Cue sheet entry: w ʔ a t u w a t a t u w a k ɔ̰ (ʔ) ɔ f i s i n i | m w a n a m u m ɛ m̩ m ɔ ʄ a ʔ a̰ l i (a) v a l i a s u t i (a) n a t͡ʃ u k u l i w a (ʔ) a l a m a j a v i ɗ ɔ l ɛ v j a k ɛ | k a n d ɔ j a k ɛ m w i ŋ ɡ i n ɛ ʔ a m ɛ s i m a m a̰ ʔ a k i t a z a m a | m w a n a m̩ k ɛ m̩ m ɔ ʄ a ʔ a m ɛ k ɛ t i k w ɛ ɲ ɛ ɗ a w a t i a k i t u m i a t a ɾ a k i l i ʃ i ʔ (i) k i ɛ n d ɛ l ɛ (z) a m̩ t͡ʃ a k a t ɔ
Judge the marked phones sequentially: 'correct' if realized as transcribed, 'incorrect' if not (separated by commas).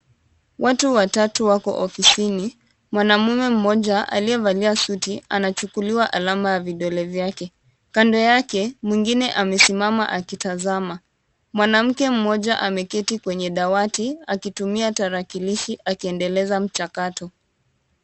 correct, incorrect, correct, correct, incorrect, correct